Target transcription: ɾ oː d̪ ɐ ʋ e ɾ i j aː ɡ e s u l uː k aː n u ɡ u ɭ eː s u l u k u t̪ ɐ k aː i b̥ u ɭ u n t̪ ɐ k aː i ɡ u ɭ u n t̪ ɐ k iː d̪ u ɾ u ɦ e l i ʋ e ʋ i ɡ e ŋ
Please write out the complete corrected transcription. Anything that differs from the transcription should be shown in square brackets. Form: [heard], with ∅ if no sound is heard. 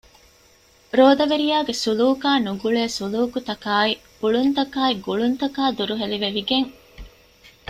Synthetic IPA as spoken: ɾ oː d̪ ɐ ʋ e ɾ i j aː ɡ e s u l uː k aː n u ɡ u ɭ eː s u l [uː] k u t̪ ɐ k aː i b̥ u ɭ u n t̪ ɐ k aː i ɡ u ɭ u n t̪ ɐ k [aː] d̪ u ɾ u ɦ e l i ʋ e ʋ i ɡ e ŋ